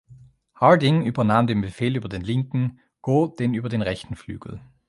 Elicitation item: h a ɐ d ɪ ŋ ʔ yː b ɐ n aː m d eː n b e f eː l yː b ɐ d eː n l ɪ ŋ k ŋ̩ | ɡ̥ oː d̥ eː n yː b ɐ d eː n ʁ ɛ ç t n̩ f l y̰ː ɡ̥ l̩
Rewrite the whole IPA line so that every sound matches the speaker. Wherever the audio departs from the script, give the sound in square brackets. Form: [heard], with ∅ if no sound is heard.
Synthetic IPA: h a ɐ d ɪ ŋ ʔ yː b ɐ n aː m d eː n b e f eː l yː b ɐ d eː n l ɪ ŋ k ŋ̩ | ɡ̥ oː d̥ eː n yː b ɐ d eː n ʁ ɛ ç t n̩ f l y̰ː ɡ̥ l̩